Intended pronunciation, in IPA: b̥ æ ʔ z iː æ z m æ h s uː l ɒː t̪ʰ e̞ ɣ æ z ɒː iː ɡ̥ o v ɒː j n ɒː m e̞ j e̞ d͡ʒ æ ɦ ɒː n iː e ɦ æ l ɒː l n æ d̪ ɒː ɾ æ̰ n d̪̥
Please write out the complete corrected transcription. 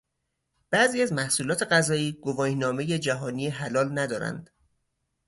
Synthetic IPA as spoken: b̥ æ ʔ z iː æ z m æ h s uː l ɒː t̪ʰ e̞ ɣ æ z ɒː iː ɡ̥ o v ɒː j n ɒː m e̞ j e̞ d͡ʒ æ ɦ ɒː n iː e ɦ æ l ɒː l n æ d̪ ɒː ɾ æ̰ n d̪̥